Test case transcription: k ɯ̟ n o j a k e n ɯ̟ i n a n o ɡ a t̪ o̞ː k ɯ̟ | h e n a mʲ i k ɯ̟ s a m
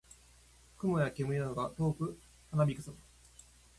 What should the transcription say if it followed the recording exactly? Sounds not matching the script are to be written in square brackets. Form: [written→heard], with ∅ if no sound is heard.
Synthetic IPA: k ɯ̟ [n→m] o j a k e [n→m] ɯ̟ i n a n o ɡ a t̪ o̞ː k ɯ̟ | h [e→a] n a [mʲ→bʲ] i k ɯ̟ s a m